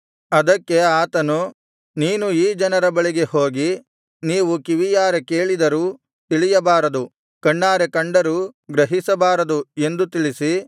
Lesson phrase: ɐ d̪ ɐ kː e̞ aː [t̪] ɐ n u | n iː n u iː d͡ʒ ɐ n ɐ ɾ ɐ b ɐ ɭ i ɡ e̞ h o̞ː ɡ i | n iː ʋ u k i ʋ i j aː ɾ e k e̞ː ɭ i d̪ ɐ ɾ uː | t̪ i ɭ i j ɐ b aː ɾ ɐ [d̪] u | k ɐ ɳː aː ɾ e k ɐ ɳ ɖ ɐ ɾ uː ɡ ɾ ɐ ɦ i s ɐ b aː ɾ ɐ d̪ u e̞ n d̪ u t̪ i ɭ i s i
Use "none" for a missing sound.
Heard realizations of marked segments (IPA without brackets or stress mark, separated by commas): t̪, d̪